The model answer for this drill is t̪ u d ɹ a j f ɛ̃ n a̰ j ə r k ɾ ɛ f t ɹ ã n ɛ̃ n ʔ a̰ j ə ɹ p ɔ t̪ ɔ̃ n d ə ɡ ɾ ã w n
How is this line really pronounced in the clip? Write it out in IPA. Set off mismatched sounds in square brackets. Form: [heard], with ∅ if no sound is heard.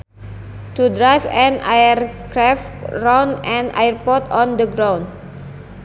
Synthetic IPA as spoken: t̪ u d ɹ a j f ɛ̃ n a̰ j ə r k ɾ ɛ f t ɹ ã n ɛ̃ n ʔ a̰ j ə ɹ p ɔ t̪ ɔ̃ n d ə ɡ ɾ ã w n